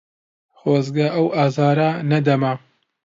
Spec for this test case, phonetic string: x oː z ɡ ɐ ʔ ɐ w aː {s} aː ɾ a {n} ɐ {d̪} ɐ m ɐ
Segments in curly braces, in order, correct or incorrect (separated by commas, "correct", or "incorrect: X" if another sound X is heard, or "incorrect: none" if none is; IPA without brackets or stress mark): incorrect: z, correct, correct